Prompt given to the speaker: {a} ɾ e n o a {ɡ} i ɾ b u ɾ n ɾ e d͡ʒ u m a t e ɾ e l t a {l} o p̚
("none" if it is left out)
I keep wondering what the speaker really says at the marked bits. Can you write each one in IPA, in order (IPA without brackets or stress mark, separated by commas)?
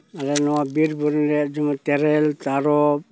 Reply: a, b, ɾ